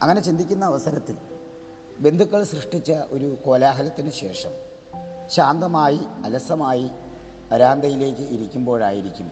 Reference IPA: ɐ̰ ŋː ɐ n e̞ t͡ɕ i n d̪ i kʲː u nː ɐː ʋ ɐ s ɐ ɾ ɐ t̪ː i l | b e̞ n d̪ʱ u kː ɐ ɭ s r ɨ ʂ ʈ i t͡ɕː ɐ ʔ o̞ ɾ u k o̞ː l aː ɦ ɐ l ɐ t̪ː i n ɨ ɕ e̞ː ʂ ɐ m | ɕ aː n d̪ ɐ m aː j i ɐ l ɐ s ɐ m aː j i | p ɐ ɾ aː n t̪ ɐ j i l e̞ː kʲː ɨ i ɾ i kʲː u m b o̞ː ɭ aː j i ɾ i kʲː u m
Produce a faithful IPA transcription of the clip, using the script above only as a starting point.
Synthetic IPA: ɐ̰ ŋː ɐ n e̞ t͡ɕ i n d̪ i kʲː u nː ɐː ʋ ɐ s ɐ ɾ ɐ t̪ː i l | b e̞ n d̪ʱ u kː ɐ ɭ s r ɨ ʂ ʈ i t͡ɕː ɐ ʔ o̞ ɾ u k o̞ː l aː ɦ ɐ l ɐ t̪ː i n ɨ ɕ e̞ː ʂ ɐ m | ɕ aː n d̪ ɐ m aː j i ɐ l ɐ s ɐ m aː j i | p ɐ ɾ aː n d̪ ɐ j i l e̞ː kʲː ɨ i ɾ i kʲː u m b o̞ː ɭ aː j i ɾ i kʲː u m